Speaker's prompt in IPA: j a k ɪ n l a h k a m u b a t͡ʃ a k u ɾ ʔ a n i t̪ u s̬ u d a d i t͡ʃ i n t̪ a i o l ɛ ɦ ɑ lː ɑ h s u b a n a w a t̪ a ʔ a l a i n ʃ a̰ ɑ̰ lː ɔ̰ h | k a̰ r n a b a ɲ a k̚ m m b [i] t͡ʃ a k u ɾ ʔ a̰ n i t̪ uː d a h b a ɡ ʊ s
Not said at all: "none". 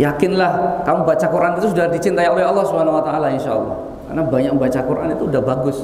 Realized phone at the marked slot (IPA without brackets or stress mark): a